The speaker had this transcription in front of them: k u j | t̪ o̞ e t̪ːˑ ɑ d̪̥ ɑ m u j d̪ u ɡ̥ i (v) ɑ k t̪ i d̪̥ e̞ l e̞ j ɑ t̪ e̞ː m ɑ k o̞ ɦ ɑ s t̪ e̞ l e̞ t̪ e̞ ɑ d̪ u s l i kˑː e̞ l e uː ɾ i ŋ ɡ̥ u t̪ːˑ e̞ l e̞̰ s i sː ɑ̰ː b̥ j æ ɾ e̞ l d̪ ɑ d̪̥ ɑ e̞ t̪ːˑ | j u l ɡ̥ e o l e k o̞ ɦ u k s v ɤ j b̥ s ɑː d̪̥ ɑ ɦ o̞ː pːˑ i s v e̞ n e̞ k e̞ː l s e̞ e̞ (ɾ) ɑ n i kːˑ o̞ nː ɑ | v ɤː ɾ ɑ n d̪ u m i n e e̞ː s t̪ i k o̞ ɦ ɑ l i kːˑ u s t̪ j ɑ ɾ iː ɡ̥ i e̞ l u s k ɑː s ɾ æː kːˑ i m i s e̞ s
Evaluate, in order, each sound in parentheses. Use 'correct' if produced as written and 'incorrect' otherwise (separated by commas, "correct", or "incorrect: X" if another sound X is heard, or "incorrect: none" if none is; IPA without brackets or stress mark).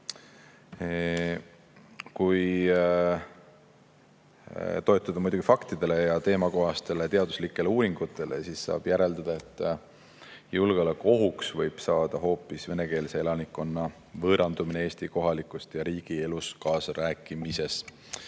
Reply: incorrect: f, incorrect: l